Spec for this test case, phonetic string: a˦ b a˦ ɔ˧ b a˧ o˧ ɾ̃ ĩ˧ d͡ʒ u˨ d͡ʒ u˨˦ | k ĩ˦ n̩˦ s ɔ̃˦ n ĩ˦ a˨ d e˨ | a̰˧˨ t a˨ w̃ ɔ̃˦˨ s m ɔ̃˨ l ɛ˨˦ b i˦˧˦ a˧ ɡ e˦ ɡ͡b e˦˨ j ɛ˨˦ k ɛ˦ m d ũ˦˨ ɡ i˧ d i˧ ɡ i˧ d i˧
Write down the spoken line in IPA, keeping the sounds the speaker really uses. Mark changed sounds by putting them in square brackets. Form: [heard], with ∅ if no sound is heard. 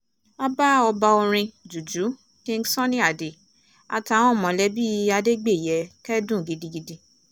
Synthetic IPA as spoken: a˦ b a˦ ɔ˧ b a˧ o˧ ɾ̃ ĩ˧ d͡ʒ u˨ d͡ʒ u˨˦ | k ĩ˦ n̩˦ s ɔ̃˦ n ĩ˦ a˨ d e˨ | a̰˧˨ t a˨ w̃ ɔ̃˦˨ [∅] m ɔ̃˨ l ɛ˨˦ b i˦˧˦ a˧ [d] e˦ ɡ͡b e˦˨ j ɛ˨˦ k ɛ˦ [∅] d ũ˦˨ ɡ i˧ d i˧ ɡ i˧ d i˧